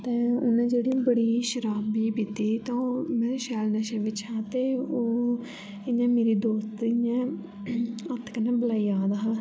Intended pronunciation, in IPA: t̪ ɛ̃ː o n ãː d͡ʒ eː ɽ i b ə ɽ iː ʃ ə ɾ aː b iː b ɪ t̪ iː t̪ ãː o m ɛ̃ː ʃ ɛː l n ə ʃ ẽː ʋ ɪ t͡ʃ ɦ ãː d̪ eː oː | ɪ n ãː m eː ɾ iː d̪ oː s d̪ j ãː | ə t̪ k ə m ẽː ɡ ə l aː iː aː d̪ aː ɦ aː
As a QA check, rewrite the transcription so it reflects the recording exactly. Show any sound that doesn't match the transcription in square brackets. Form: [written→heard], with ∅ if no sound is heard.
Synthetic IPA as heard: t̪ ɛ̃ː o n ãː d͡ʒ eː ɽ i b ə ɽ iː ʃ ə ɾ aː b iː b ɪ t̪ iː t̪ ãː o m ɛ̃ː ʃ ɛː l n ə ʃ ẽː ʋ ɪ t͡ʃ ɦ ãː [d̪→t̪] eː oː | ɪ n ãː m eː ɾ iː d̪ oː s [d̪→t̪] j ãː | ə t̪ k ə [m→n] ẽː [ɡ→b] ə l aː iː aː d̪ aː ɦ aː